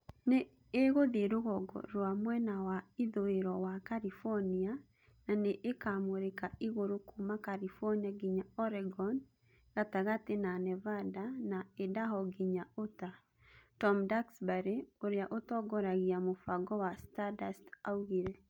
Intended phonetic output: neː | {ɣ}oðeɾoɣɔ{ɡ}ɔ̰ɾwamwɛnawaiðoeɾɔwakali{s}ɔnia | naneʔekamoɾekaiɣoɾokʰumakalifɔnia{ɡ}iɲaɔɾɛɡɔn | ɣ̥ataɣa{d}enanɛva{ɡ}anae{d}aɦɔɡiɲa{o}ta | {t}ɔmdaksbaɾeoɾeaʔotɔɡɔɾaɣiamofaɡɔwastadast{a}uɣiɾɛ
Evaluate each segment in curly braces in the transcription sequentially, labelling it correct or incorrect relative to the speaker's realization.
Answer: correct, correct, incorrect: f, correct, incorrect: t, incorrect: d, correct, correct, correct, correct

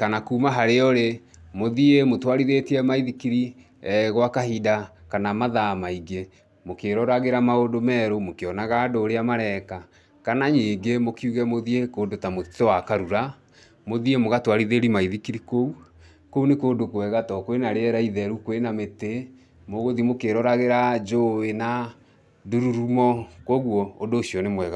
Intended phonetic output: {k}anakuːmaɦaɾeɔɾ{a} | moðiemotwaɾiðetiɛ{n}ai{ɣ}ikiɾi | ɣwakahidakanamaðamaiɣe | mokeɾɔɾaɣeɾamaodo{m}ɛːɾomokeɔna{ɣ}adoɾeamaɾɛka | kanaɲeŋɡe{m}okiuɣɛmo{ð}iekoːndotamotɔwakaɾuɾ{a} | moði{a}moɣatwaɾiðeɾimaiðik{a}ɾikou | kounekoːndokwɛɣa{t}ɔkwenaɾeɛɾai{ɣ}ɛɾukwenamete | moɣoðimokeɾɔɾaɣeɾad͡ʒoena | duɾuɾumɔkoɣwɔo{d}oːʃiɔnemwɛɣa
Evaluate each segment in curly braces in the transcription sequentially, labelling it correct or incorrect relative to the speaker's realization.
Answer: correct, incorrect: e, incorrect: m, incorrect: ð, correct, correct, correct, correct, correct, incorrect: e, incorrect: i, correct, incorrect: ð, correct

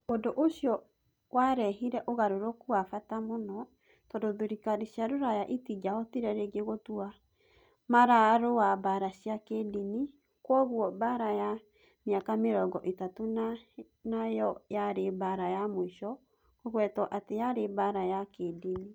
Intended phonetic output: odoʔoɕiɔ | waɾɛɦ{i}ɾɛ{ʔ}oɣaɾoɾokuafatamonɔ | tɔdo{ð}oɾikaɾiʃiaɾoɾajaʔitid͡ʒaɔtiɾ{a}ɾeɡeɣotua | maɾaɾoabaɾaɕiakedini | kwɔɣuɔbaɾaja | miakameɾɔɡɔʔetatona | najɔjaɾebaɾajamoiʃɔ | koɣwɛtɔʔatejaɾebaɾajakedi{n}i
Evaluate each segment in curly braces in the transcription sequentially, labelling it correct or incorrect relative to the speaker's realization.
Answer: correct, correct, correct, incorrect: ɛ, correct

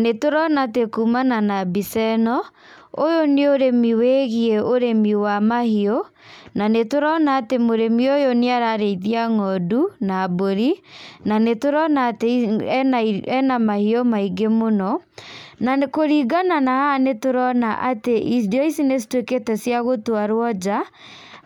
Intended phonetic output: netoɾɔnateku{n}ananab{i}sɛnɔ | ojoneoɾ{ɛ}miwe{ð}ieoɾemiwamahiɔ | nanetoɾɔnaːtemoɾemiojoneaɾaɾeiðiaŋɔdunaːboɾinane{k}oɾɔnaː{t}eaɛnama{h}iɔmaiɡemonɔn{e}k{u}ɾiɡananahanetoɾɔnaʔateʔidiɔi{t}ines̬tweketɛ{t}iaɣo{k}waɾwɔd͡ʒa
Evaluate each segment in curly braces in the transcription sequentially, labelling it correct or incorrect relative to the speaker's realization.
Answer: incorrect: m, correct, incorrect: e, incorrect: ɣ, incorrect: t, correct, correct, incorrect: a, incorrect: o, incorrect: s, incorrect: s, incorrect: t

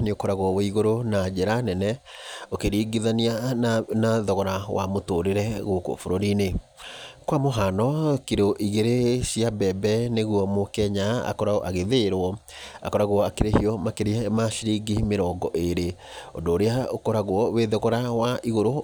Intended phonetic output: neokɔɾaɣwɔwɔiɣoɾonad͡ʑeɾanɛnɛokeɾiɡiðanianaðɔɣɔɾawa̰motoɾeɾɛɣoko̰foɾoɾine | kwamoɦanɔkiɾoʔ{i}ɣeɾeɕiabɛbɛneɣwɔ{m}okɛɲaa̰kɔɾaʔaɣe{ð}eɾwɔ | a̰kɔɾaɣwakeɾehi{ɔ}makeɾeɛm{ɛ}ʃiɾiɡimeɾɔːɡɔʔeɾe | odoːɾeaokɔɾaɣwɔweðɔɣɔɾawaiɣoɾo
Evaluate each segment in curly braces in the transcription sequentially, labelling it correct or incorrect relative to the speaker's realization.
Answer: correct, correct, correct, correct, incorrect: a

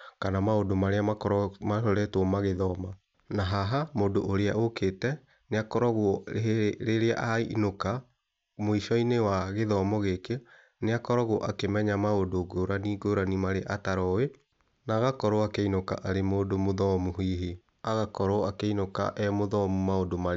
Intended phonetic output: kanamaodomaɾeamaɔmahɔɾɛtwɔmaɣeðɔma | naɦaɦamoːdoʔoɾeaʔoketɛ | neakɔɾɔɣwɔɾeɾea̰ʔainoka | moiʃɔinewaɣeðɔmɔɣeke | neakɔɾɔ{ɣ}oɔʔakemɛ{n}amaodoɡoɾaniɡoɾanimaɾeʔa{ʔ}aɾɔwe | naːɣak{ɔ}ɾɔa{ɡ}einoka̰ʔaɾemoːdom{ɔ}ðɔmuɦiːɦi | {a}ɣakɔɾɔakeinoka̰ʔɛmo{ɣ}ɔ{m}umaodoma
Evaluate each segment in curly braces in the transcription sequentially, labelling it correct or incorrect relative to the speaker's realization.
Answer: correct, incorrect: ɲ, incorrect: t, correct, incorrect: k, incorrect: o, correct, incorrect: ð, correct

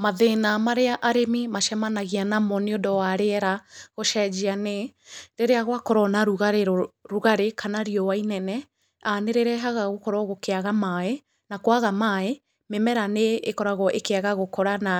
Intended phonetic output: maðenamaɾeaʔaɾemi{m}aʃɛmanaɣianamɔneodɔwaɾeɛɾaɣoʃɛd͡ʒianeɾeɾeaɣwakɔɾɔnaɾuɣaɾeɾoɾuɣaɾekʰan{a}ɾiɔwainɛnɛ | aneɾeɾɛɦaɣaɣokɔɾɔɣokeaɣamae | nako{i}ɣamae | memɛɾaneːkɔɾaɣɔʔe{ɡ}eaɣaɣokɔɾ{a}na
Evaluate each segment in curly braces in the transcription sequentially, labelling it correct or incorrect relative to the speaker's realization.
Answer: correct, correct, incorrect: a, incorrect: k, correct

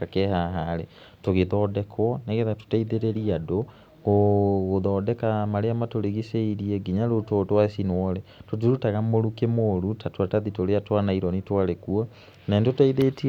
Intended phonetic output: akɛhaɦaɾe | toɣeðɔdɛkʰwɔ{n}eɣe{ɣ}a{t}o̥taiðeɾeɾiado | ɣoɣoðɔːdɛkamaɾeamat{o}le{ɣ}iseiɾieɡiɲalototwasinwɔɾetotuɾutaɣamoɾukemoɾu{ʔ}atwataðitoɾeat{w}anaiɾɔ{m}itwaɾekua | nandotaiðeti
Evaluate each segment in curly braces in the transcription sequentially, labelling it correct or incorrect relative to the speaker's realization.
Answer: correct, incorrect: ð, correct, correct, correct, incorrect: t, correct, incorrect: n

